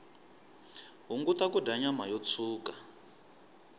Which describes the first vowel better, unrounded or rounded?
rounded